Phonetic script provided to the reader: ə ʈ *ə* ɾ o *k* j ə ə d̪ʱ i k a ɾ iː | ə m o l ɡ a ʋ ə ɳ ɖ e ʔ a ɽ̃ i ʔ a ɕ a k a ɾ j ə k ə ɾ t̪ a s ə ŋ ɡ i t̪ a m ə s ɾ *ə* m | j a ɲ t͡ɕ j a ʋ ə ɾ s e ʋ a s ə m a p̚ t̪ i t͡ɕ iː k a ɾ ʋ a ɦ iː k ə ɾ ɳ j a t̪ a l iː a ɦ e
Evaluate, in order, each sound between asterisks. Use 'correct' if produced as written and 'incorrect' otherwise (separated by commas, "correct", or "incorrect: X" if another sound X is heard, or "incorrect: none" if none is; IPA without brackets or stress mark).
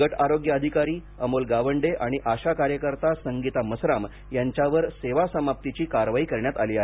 incorrect: a, incorrect: ɡ, incorrect: a